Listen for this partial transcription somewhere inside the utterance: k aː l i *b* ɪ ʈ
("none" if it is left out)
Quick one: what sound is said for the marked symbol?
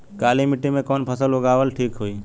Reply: m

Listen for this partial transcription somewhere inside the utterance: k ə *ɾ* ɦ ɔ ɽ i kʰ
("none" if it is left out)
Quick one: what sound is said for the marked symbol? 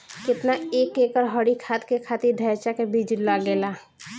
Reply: ɾ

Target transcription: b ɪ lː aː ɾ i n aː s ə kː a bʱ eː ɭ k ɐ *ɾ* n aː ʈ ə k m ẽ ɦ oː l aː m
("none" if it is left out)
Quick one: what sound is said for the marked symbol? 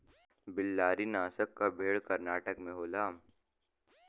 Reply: ɾ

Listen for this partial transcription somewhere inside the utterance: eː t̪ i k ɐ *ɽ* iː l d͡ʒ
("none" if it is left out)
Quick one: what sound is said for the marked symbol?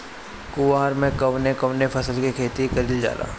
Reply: ɾ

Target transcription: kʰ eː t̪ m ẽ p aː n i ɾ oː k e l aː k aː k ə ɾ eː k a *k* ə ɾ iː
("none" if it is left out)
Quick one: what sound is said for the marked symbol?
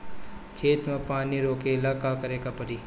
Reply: p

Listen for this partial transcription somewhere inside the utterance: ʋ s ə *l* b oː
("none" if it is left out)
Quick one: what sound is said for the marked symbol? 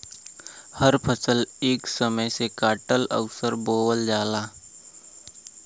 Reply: ɾ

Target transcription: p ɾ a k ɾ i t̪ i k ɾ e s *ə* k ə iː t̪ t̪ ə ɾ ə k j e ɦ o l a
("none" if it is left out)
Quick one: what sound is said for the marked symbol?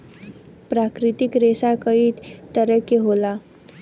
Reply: a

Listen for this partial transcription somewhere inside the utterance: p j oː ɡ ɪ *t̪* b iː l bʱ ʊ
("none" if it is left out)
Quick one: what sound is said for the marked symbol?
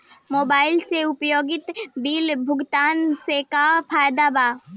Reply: t̪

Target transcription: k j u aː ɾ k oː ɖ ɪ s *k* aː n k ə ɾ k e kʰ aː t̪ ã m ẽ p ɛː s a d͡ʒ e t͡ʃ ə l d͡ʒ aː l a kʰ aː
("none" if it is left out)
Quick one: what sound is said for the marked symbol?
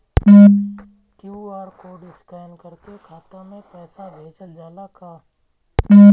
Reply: k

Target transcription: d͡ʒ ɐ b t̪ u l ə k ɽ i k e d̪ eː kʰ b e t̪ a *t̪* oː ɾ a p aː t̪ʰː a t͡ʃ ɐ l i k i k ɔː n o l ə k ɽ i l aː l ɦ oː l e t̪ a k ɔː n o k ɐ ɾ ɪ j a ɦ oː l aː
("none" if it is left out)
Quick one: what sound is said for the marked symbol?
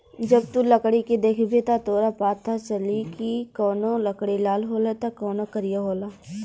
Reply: t̪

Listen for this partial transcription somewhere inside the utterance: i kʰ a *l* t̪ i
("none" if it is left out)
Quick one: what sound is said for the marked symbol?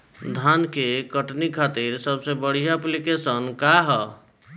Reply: none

